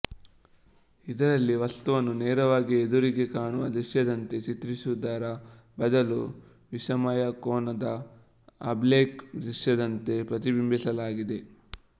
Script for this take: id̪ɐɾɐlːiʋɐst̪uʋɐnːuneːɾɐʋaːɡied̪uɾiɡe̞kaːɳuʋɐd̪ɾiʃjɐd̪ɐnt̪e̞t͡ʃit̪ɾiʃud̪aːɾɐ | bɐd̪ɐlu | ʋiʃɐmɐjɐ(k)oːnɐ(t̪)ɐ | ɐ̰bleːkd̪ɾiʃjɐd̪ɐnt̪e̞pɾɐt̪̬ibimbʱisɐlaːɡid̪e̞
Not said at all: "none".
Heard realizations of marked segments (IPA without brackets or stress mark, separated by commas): k, d̪